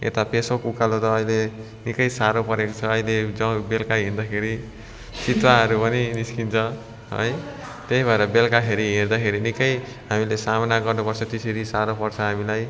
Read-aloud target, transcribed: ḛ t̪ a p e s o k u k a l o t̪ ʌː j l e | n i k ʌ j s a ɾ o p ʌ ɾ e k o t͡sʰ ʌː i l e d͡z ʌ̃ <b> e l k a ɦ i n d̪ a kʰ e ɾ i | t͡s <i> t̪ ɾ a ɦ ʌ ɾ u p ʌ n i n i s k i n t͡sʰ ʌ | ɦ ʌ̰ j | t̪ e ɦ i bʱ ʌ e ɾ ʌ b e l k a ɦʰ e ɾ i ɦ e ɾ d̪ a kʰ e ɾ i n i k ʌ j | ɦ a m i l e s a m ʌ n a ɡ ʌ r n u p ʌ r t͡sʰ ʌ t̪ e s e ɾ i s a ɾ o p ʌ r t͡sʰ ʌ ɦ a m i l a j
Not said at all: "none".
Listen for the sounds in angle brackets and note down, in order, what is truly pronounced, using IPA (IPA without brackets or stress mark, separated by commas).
b, i